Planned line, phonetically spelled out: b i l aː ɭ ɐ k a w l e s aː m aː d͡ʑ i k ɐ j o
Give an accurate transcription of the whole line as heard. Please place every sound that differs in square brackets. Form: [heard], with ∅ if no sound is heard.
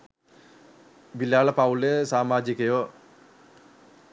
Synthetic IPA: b i l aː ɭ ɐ [p] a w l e s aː m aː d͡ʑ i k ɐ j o